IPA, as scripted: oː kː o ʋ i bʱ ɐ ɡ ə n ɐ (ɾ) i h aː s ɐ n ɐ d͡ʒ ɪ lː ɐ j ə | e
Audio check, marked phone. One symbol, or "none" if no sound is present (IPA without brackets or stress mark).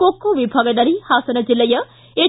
ɾ